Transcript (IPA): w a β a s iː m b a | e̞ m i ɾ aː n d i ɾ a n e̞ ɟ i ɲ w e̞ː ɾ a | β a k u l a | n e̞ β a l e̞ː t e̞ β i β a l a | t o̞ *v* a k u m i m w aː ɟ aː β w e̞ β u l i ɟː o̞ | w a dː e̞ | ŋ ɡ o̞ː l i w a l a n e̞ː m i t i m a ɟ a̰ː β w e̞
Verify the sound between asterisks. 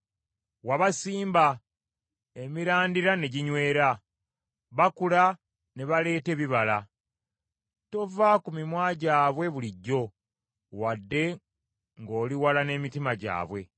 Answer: correct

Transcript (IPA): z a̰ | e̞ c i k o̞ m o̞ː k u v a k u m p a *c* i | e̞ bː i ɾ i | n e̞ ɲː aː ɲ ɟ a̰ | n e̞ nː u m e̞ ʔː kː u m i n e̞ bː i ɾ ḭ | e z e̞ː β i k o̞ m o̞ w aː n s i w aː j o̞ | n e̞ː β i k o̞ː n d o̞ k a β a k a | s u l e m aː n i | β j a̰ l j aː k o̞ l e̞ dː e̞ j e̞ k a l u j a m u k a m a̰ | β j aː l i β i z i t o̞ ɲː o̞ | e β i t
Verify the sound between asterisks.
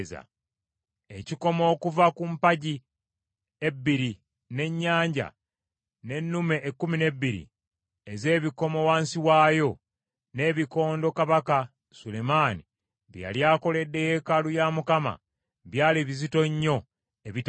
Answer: incorrect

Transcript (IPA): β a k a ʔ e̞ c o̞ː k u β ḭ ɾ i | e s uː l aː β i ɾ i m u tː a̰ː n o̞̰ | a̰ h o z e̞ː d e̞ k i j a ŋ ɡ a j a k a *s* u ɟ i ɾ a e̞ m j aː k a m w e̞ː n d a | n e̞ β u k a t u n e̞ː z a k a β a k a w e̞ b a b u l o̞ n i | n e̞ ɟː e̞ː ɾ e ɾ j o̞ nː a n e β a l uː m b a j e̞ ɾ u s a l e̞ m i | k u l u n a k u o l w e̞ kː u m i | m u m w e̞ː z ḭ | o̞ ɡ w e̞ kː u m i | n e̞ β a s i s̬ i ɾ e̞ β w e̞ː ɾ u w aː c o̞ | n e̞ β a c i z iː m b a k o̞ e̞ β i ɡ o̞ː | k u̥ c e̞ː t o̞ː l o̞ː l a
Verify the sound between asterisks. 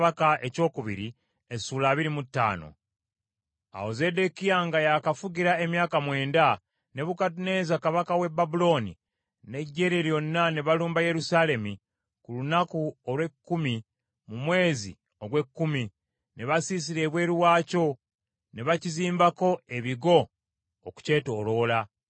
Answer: incorrect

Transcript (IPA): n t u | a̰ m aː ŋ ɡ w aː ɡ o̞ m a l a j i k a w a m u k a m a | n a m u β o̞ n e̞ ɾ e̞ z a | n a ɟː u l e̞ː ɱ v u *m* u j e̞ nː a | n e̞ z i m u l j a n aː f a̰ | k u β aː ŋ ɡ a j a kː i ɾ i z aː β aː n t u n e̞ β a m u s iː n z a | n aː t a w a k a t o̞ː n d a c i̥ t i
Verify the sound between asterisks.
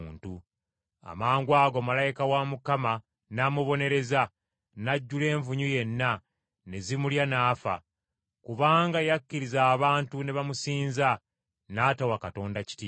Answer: incorrect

